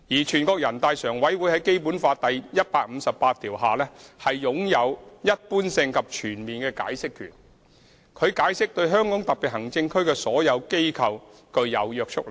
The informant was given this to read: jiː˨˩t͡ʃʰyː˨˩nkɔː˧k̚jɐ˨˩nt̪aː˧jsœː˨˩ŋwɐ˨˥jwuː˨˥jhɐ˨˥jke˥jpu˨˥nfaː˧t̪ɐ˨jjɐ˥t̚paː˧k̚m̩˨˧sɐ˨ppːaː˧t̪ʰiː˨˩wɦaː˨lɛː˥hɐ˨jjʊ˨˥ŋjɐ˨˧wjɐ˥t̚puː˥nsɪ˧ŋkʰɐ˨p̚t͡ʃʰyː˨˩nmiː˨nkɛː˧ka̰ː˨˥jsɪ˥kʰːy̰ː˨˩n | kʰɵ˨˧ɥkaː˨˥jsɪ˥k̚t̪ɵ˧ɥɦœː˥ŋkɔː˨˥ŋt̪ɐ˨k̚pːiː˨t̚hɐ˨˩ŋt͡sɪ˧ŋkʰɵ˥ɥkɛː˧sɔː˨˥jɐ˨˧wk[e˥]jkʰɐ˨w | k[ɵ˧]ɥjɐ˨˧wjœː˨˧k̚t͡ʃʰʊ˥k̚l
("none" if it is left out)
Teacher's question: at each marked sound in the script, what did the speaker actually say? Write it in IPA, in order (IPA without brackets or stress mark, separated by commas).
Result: e˥, ɵ˧